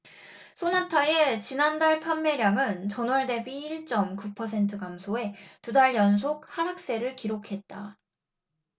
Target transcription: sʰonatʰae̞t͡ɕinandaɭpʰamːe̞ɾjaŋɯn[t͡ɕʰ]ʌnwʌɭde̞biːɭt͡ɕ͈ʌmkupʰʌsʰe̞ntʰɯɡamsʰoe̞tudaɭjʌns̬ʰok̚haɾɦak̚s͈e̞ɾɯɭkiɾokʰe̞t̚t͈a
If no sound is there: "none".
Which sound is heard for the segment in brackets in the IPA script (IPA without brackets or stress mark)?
t͡ɕ